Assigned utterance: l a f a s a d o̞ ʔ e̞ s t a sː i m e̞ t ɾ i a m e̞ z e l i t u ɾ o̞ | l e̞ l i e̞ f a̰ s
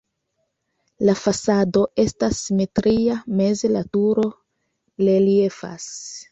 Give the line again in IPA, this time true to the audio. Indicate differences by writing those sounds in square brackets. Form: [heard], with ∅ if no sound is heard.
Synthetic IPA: l a f a s a d o̞ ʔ e̞ s t a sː i m e̞ t ɾ i a m e̞ z e l [a] t u ɾ o̞ | l e̞ l i e̞ f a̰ s